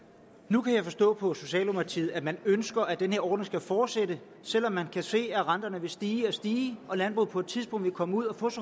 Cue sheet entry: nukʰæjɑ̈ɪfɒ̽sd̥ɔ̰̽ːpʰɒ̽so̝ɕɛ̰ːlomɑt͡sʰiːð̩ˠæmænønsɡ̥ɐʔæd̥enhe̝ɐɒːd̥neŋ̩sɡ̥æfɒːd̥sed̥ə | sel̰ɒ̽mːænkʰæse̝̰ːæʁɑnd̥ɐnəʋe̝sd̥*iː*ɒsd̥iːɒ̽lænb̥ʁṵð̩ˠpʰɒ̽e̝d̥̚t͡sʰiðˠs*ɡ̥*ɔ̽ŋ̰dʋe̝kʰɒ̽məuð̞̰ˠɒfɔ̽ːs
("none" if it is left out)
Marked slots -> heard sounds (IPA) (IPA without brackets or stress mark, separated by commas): iː, b̥